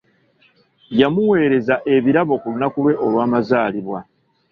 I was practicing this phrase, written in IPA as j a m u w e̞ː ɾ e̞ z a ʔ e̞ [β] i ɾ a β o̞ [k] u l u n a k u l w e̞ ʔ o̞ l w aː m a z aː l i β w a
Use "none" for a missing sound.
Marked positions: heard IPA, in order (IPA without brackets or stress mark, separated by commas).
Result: β, k